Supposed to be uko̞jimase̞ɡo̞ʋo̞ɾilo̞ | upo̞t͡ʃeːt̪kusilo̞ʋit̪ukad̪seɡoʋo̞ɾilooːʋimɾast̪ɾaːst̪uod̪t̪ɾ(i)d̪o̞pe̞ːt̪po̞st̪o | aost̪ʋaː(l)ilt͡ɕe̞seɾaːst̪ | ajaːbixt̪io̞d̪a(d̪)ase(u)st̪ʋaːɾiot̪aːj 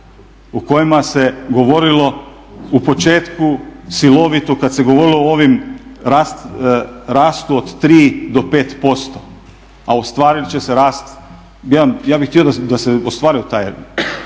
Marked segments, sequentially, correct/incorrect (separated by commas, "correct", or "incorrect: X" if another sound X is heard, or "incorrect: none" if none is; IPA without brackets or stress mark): incorrect: iː, incorrect: ɾ, correct, incorrect: o